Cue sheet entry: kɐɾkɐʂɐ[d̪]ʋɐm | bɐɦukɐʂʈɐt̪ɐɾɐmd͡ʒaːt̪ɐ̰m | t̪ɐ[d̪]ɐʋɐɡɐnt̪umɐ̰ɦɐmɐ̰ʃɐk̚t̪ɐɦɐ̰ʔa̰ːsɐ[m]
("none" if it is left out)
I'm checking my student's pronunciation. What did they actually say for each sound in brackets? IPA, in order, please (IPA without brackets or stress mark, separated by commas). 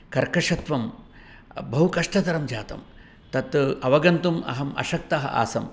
t̪, t̪, m